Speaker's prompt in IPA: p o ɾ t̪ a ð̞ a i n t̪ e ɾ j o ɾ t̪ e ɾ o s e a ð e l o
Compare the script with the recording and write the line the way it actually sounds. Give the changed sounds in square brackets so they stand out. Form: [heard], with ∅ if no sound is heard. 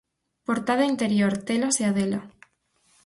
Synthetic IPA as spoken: p o ɾ t̪ a ð̞ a i n t̪ e ɾ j o ɾ t̪ e [l] o s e a ð e l o